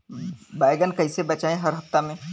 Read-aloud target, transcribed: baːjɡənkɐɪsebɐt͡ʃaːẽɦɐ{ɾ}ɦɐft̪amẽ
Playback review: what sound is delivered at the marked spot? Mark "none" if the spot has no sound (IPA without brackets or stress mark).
ɾ